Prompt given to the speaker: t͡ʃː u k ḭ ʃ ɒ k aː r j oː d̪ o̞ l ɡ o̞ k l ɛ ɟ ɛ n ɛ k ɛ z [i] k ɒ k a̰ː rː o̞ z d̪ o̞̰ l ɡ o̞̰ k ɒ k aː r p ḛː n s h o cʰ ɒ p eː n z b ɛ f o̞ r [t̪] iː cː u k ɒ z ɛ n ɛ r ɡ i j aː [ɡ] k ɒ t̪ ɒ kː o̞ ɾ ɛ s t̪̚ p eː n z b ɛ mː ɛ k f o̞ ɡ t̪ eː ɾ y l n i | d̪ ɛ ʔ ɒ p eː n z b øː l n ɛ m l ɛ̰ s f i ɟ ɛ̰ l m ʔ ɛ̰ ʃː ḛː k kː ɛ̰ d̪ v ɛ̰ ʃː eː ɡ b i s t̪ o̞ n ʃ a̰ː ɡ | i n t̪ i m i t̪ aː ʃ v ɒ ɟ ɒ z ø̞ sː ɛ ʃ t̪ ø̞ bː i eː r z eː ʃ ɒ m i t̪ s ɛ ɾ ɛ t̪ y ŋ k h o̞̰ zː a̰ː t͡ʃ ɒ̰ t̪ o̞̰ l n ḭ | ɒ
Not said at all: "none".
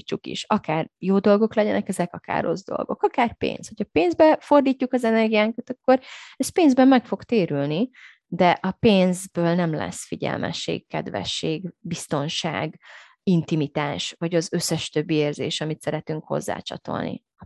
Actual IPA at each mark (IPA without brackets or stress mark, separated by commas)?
ɛ, d̪, ŋ